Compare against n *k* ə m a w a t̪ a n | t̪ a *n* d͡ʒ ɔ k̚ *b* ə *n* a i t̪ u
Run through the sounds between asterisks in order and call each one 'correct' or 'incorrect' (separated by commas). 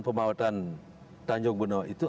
incorrect, incorrect, correct, correct